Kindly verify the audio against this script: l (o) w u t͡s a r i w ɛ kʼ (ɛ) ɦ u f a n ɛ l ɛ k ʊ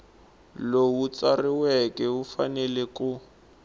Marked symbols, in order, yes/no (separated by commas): yes, yes